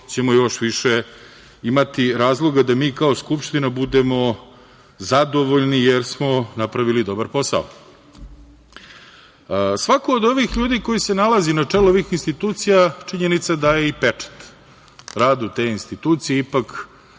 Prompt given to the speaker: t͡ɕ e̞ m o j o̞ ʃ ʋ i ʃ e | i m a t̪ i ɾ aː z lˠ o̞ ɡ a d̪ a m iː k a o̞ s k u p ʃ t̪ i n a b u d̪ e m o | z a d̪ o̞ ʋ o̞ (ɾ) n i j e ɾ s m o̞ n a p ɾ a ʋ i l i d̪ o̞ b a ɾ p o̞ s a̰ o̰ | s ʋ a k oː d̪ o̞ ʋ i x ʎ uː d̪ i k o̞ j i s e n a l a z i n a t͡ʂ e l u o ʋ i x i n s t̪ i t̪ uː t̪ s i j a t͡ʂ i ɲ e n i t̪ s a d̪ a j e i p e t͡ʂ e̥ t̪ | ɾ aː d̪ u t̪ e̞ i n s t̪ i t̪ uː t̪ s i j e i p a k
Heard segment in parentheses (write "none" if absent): ʎ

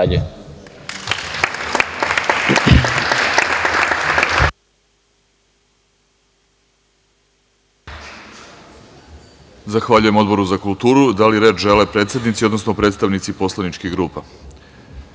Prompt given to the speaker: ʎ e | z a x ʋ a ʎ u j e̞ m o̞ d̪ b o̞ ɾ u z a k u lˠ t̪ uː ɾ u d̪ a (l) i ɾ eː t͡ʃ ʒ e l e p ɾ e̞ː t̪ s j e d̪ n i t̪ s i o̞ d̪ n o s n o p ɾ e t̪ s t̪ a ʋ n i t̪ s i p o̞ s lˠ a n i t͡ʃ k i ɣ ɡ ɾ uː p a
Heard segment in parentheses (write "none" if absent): l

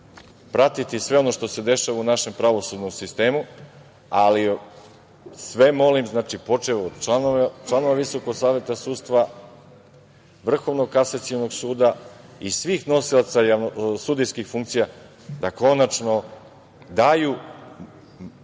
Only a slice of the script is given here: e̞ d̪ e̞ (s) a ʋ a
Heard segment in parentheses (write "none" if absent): ʃ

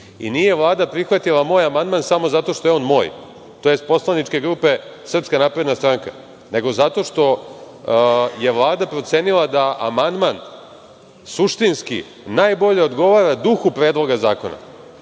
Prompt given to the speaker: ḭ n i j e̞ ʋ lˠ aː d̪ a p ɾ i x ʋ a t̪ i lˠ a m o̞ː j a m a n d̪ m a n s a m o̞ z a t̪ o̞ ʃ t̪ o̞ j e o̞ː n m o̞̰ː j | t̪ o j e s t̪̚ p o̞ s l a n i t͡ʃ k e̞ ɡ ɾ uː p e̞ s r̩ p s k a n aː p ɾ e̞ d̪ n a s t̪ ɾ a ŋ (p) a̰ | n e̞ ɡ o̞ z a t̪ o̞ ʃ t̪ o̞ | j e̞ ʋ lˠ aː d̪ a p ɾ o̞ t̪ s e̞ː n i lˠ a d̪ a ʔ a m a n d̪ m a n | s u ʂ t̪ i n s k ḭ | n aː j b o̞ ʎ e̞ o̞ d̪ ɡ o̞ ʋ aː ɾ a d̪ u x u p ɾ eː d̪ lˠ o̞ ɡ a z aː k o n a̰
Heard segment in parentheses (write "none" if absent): k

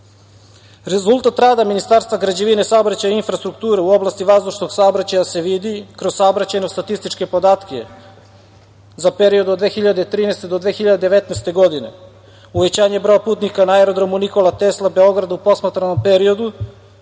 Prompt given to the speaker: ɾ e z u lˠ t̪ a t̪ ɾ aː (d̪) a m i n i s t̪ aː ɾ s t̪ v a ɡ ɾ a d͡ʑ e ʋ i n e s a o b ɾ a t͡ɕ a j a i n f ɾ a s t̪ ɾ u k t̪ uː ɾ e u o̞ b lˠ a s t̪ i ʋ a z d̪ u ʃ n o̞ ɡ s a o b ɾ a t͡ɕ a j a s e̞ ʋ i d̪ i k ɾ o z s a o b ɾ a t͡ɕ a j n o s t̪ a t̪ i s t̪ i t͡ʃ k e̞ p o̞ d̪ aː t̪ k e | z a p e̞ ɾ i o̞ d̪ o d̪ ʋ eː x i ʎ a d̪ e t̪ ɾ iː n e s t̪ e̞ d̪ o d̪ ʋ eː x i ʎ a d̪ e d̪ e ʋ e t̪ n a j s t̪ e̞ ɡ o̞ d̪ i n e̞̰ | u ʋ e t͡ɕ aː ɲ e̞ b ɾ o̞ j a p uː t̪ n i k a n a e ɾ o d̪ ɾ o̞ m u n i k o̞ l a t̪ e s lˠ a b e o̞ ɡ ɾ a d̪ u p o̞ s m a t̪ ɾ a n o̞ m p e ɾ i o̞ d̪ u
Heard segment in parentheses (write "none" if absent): d̪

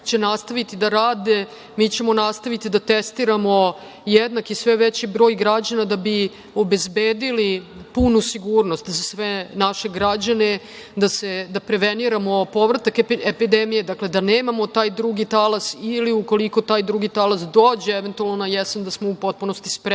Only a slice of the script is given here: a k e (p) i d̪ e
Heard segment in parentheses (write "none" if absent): p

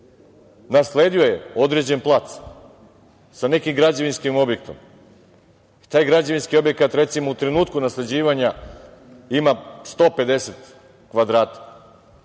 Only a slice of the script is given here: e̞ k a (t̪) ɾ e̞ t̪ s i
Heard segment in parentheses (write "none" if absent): t̪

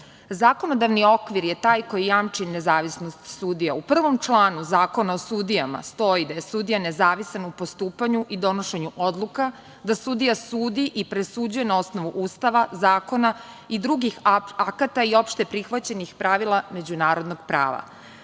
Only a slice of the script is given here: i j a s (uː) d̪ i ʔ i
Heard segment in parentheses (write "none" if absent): uː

